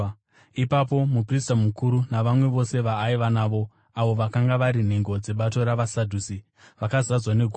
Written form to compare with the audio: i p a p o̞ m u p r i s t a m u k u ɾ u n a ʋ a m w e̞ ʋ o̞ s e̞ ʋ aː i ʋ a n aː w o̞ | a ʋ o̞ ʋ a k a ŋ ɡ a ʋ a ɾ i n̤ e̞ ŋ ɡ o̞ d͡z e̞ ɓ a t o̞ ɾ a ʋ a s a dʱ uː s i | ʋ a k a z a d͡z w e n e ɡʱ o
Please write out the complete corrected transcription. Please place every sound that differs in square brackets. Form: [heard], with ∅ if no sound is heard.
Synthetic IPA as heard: i p a p o̞ m u p r i s t a m u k u ɾ u n a ʋ a m w e̞ ʋ o̞ s e̞ ʋ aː i ʋ a n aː [ʋ] o̞ | a ʋ o̞ ʋ a k a ŋ ɡ a ʋ a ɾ i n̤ e̞ ŋ ɡ o̞ d͡z e̞ ɓ a t o̞ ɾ a ʋ a s a dʱ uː s i | ʋ a k a z a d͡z w [a] n e ɡʱ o